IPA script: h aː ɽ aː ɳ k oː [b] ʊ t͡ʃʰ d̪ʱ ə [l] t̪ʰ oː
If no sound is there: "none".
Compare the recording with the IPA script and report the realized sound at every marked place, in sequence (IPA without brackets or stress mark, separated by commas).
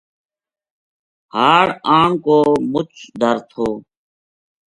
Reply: m, ɾ